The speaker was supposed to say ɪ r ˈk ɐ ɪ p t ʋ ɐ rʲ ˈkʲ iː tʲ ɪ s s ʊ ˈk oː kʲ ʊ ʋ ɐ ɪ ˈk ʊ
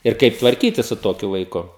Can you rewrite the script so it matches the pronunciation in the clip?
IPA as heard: ɪ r ˈk ɐ ɪ p t ʋ ɐ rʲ ˈkʲ iː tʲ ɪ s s ʊ ˈt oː kʲ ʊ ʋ ɐ ɪ ˈk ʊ